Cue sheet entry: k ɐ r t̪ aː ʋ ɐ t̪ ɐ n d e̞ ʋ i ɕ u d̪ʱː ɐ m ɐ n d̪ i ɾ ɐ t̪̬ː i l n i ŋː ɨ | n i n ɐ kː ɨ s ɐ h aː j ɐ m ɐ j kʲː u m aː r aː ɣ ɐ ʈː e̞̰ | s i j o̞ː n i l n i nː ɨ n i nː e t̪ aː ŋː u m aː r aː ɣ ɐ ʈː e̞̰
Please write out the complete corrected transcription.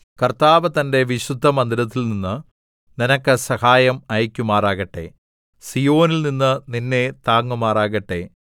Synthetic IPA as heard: k ɐ r t̪ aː ʋ ɐ t̪ ɐ n d e̞ ʋ i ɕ u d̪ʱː ɐ m ɐ n d̪ i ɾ ɐ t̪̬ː i l n i nː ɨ | n i n ɐ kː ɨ s ɐ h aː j ɐ m ɐ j kʲː u m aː r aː ɣ ɐ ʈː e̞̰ | s i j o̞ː n i l n i nː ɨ n i nː e t̪ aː ŋː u m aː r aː ɣ ɐ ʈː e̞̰

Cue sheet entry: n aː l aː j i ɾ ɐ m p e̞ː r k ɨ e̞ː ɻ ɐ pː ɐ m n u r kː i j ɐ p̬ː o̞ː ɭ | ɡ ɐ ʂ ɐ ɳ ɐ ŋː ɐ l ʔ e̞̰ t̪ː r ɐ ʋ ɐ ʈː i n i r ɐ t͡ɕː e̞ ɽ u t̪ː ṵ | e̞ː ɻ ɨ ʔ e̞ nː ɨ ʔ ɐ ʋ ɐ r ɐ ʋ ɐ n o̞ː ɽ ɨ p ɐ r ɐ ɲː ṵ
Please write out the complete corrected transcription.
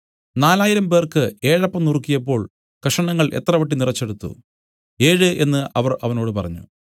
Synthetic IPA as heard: n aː l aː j i ɾ ɐ m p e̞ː r k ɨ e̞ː ɻ ɐ pː ɐ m n u r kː i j ɐ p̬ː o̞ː ɭ | k ɐ ʂ ɐ ɳ ɐ ŋː ɐ ɭ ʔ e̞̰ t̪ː r ɐ ʋ ɐ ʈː i n i r ɐ t͡ɕː e̞ ɽ u t̪ː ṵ | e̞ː ɻ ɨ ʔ e̞ nː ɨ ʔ ɐ ʋ ɐ r ɐ ʋ ɐ n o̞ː ɽ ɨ p ɐ r ɐ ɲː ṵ

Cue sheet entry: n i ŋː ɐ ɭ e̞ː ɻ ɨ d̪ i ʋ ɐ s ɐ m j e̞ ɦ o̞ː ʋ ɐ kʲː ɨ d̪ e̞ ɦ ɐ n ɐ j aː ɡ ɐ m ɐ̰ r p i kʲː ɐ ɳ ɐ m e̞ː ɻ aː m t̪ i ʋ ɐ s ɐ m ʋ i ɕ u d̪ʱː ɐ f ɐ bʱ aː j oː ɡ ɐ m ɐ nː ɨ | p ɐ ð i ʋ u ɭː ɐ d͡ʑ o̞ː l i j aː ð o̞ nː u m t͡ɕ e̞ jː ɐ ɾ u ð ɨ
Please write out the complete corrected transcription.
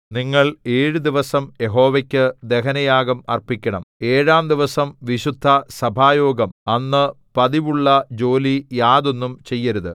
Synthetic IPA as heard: n i ŋː ɐ ɭ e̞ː ɻ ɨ d̪ i ʋ ɐ s ɐ m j e̞ ɦ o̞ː ʋ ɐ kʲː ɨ d̪ e̞ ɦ ɐ n ɐ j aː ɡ ɐ m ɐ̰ r p i kʲː ɐ ɳ ɐ m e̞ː ɻ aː m d̪ i ʋ ɐ s ɐ m ʋ i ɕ u d̪ʱː ɐ s ɐ bʱ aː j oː ɡ ɐ m ɐ nː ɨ | p ɐ ð i ʋ u ɭː ɐ d͡ʑ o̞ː l i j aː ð o̞ nː u m t͡ɕ e̞ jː ɐ ɾ u ð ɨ

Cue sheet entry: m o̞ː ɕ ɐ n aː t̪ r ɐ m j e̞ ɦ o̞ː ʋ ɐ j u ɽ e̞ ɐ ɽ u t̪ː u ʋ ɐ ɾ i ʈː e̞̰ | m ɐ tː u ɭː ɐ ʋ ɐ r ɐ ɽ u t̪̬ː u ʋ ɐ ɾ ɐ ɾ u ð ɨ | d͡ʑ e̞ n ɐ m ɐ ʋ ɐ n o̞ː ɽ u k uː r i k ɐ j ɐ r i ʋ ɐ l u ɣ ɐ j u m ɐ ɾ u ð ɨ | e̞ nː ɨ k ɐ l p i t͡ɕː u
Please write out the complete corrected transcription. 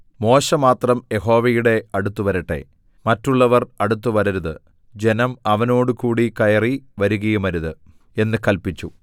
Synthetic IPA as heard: m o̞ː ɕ ɐ m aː t̪ r ɐ m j e̞ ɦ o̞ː ʋ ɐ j u ɽ e̞ ɐ ɽ u t̪ː u ʋ ɐ ɾ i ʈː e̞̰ | m ɐ tː u ɭː ɐ ʋ ɐ r ɐ ɽ u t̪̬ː u ʋ ɐ ɾ ɐ ɾ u ð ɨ | d͡ʑ e̞ n ɐ m ɐ ʋ ɐ n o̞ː ɽ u k uː ɽ i k ɐ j ɐ r i ʋ ɐ ɾ u ɣ ɐ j u m ɐ ɾ u ð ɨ | e̞ nː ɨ k ɐ l p i t͡ɕː u

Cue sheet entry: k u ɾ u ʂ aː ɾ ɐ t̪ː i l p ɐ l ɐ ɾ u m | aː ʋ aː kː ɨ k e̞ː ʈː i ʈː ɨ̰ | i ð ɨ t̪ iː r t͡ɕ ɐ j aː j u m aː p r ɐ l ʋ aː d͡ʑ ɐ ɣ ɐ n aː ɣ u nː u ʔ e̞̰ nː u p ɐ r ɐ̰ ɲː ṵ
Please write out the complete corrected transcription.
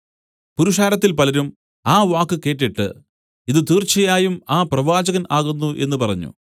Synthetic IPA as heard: p u ɾ u ʂ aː ɾ ɐ t̪ː i l p ɐ l ɐ ɾ u m | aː ʋ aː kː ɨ k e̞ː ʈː i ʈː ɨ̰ | i ð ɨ t̪ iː r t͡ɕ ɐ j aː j u m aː p r ɐ ʋ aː d͡ʑ ɐ ɣ ɐ n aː ɣ u nː u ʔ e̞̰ nː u p ɐ r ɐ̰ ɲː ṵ

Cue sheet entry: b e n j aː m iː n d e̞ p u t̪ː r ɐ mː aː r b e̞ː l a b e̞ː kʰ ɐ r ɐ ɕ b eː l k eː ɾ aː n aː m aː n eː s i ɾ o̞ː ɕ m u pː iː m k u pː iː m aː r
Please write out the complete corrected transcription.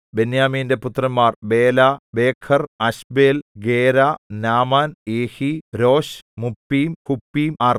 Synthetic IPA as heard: b e n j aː m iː n d e̞ p u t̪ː r ɐ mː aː r b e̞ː l a b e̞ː kʰ ɐ r ɐ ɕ b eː l ɡ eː ɾ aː n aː m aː n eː h i ɾ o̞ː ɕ m u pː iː m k u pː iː m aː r

